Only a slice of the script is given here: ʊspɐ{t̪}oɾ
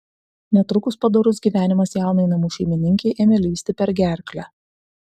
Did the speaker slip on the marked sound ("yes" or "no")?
yes